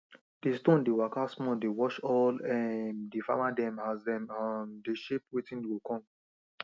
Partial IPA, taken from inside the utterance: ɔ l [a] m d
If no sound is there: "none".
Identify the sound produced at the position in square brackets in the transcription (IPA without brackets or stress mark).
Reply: ɛ